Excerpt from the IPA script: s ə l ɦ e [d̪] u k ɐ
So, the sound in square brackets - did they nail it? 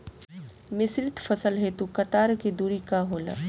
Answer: no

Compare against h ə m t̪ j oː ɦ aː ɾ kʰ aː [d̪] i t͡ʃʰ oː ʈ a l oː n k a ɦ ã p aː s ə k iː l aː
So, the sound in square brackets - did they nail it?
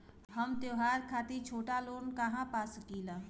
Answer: no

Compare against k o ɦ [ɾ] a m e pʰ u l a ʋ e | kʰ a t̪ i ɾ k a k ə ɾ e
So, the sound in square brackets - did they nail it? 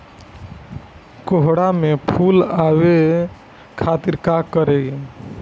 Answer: no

